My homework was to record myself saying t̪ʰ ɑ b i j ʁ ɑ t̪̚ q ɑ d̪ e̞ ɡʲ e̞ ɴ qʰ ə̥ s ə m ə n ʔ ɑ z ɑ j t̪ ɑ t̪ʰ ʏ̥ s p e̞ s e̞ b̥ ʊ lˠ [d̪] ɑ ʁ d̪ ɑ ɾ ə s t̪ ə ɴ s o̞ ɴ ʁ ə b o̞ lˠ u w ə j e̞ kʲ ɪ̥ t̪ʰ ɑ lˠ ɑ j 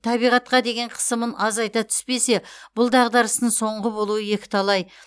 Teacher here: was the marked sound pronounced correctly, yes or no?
yes